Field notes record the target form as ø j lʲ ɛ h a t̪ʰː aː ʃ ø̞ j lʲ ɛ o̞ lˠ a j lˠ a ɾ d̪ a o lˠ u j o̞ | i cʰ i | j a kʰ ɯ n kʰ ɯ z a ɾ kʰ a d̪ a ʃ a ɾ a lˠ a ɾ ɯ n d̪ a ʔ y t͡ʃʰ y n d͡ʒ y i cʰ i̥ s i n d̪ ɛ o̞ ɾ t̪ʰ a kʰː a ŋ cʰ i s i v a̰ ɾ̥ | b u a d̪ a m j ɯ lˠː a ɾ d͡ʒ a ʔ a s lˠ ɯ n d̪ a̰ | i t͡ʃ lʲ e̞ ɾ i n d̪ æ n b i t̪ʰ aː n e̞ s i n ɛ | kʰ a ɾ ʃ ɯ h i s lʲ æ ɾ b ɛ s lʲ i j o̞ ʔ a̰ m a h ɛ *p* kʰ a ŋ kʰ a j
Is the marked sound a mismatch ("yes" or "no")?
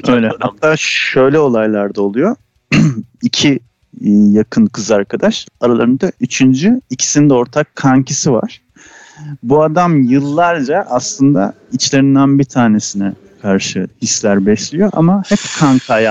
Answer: no